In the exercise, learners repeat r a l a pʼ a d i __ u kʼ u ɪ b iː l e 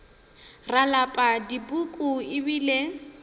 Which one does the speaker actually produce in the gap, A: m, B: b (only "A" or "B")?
B